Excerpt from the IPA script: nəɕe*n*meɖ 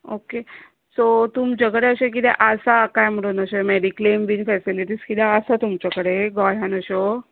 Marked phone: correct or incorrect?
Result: incorrect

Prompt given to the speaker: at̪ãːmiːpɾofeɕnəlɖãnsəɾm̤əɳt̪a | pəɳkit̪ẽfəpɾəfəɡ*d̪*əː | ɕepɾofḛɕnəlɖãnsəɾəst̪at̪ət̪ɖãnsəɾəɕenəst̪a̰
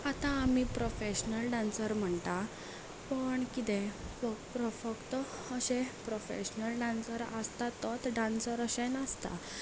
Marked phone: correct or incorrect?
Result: incorrect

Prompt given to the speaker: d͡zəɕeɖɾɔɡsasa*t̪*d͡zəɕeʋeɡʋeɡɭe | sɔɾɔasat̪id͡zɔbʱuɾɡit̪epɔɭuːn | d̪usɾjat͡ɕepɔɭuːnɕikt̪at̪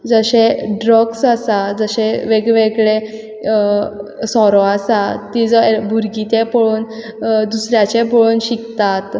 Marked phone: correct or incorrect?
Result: incorrect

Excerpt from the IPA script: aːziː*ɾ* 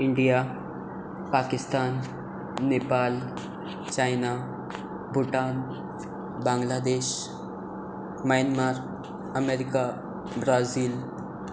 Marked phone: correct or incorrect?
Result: incorrect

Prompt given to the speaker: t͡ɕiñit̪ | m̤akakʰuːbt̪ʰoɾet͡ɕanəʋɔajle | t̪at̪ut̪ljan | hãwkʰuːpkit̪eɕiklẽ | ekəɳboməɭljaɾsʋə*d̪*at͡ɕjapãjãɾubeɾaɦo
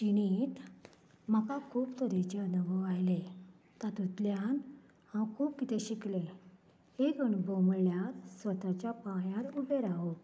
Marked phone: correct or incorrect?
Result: incorrect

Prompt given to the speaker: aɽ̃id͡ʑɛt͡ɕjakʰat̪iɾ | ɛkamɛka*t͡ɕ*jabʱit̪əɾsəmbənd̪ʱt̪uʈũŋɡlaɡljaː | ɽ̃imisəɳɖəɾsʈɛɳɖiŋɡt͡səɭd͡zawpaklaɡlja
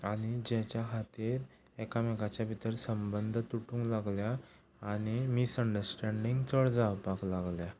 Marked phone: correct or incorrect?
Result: correct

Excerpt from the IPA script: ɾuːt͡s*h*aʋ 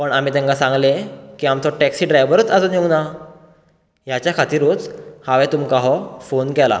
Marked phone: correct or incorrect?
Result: correct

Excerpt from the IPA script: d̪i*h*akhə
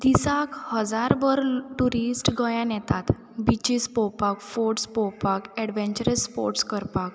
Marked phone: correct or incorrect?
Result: incorrect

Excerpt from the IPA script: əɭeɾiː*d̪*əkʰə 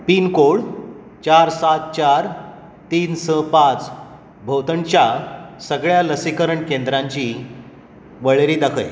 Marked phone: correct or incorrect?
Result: correct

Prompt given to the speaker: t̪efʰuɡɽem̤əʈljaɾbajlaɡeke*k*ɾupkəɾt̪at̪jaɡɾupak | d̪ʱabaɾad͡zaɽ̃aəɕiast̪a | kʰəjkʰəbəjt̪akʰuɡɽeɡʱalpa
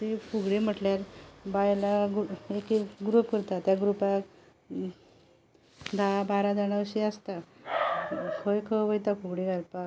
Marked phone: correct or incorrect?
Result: incorrect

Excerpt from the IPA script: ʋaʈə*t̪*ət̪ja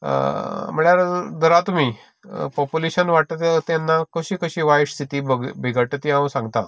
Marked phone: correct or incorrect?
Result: correct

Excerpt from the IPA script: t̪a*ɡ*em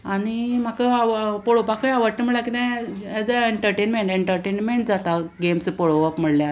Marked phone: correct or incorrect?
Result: correct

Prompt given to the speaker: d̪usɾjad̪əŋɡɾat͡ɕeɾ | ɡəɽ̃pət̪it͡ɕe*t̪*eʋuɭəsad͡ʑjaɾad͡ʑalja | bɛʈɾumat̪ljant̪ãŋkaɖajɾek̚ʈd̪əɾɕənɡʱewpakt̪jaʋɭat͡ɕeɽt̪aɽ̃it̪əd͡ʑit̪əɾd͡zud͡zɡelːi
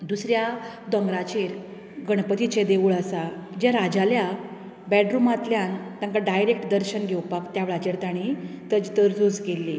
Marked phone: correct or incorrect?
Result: incorrect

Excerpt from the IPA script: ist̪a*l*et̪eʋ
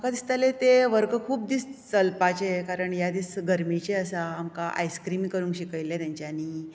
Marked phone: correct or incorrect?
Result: correct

